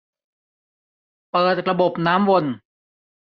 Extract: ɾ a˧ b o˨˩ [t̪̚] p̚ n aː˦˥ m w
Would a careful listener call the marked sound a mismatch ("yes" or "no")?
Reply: yes